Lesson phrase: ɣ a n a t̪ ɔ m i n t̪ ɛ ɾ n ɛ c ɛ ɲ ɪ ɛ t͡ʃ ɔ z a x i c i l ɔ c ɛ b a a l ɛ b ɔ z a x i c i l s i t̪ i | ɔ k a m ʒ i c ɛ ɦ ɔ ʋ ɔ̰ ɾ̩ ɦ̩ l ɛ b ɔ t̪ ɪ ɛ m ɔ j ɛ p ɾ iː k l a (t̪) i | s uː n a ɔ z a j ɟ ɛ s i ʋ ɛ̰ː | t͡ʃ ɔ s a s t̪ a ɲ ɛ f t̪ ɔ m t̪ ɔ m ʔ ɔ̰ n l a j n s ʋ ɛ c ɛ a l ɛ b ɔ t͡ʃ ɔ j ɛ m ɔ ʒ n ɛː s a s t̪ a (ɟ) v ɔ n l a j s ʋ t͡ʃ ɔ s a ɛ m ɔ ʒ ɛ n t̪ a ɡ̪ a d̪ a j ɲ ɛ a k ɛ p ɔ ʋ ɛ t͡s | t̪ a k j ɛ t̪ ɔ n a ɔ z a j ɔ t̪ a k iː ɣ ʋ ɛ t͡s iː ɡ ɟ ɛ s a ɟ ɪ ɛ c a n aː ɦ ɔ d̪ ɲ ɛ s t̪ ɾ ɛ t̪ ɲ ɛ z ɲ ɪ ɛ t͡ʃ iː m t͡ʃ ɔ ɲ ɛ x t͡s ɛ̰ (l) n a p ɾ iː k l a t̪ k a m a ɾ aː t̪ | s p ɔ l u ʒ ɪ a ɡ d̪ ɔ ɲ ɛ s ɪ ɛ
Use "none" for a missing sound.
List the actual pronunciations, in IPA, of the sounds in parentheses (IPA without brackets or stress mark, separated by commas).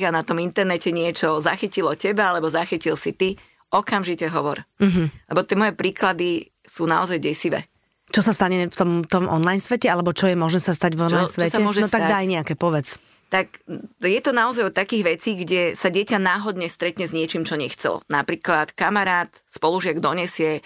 d̪, ɟ, l